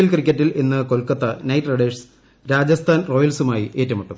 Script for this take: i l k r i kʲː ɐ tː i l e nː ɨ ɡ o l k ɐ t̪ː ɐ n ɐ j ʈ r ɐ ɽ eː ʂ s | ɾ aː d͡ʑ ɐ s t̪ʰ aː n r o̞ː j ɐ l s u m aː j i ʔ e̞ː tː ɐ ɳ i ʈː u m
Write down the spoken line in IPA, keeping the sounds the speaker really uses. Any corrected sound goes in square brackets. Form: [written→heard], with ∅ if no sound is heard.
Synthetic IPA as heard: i l k r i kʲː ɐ tː i l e nː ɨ [ɡ→k] o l k ɐ t̪ː ɐ n ɐ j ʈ r ɐ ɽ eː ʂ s | ɾ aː d͡ʑ ɐ s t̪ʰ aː n r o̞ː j ɐ l s u m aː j i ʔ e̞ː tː ɐ [ɳ→m] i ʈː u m